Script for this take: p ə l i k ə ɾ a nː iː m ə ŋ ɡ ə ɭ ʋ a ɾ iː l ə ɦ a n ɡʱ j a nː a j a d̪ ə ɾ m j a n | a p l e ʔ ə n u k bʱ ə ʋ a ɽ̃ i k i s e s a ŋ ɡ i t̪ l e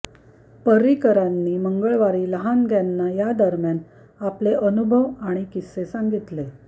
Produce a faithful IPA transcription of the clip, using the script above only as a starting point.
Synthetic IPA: p ə ɾ i k ə ɾ a nː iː m ə ŋ ɡ ə ɭ ʋ a ɾ iː l ə ɦ a n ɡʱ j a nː a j a d̪ ə ɾ m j a n | a p l e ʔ ə n u bʱ ə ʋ a ɽ̃ i k i s e s a ŋ ɡ i t̪ l e